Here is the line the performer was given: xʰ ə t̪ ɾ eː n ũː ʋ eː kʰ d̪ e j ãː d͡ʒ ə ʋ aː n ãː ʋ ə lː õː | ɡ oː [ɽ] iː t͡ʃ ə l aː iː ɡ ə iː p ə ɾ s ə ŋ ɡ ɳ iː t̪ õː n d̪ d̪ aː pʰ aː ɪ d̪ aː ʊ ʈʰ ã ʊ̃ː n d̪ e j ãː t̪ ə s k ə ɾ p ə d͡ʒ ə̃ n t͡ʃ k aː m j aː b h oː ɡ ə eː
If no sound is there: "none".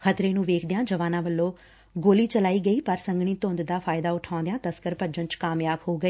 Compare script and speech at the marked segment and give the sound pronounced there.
l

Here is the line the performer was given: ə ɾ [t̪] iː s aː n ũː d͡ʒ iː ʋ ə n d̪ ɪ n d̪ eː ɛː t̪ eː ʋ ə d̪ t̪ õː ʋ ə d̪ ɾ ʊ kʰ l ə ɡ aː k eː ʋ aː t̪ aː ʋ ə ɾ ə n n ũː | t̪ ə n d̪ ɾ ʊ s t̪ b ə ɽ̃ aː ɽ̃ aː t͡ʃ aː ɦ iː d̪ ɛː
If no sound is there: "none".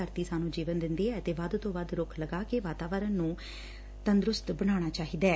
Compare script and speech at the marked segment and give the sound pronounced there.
t̪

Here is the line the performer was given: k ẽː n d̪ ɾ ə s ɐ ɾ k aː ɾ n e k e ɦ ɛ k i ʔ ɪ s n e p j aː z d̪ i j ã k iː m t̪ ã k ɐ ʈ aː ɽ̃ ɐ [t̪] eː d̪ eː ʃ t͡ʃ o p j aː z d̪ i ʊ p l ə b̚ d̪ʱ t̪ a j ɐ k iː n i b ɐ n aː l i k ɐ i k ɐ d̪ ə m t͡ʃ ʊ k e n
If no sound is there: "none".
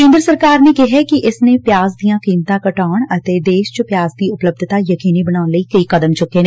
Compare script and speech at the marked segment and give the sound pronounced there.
t̪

